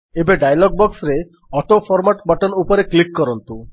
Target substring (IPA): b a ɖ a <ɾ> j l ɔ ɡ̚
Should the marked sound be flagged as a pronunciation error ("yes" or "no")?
yes